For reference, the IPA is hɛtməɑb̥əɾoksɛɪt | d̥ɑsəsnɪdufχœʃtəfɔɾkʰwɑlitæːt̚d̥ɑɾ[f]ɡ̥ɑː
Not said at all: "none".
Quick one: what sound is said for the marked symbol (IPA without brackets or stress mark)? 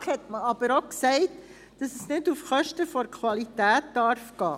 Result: f